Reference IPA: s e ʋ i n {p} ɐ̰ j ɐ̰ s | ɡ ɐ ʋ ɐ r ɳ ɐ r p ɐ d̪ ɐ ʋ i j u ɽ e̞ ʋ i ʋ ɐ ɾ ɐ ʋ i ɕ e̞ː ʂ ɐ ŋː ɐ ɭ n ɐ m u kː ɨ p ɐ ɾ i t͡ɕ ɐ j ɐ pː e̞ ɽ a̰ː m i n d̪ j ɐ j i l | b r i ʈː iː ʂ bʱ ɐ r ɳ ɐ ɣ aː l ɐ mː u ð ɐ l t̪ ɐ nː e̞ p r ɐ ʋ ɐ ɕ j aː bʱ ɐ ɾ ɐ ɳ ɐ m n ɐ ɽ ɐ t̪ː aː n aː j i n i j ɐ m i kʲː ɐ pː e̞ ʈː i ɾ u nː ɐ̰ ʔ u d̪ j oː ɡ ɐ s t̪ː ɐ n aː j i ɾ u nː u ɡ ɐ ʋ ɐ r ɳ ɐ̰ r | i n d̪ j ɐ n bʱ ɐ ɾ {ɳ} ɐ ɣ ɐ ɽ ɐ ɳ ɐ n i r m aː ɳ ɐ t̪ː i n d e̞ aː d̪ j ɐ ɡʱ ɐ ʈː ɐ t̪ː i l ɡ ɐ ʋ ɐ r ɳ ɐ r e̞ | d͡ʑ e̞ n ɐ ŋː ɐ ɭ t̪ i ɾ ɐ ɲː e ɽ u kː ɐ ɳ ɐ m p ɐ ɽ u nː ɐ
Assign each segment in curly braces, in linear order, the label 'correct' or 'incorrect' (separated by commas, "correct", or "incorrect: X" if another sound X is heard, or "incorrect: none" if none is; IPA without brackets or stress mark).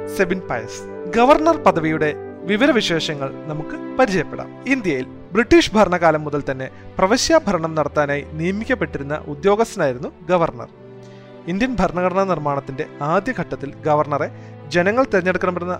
correct, correct